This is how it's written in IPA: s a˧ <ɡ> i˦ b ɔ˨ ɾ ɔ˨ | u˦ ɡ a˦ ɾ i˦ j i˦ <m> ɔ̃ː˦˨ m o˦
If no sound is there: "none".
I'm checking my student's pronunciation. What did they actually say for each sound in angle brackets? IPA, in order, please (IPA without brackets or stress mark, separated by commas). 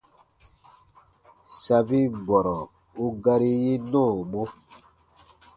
b, n